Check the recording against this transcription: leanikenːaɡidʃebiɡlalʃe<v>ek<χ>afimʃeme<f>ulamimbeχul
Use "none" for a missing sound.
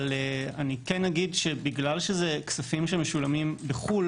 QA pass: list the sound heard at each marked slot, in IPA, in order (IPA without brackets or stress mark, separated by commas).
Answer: z, s, ʃ